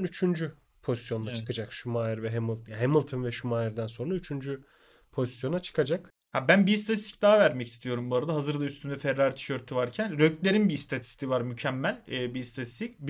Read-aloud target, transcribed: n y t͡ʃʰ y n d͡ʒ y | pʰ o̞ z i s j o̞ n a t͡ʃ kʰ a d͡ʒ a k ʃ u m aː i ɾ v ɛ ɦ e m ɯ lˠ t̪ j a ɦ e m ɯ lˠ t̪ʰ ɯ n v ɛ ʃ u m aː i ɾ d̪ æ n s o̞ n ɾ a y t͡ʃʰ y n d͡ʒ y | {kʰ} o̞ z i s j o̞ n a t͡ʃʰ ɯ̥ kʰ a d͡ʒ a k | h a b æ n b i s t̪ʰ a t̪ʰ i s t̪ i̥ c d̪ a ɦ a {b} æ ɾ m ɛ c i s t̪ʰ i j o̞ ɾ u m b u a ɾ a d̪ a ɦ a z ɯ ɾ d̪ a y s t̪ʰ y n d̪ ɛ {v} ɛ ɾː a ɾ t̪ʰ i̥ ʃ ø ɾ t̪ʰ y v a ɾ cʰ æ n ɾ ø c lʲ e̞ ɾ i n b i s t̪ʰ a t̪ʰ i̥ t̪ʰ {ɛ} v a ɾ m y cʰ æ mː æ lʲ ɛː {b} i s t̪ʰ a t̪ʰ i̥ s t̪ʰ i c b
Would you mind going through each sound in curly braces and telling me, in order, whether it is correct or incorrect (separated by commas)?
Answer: incorrect, incorrect, incorrect, incorrect, correct